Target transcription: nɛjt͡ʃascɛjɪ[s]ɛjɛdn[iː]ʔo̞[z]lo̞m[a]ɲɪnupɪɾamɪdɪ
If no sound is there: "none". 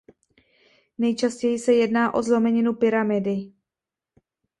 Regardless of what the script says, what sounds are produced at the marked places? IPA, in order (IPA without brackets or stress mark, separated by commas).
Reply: s, aː, z, ɛ